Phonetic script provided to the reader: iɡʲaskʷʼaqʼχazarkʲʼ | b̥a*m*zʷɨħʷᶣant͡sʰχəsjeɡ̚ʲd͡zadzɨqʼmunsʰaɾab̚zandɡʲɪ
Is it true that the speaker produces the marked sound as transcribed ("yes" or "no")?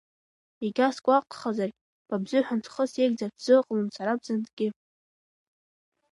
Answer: no